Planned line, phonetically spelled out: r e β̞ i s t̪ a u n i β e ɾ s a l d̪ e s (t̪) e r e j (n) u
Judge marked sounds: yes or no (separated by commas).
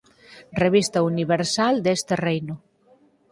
yes, yes